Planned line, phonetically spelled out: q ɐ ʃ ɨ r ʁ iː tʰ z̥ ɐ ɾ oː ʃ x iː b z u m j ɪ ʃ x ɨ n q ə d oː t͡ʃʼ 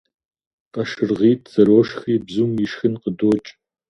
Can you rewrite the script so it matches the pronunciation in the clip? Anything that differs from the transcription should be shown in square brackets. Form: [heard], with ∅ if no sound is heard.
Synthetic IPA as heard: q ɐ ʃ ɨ r ʁ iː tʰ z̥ ɐ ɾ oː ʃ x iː b z u m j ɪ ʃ x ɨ n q ə d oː t͡ʃʼ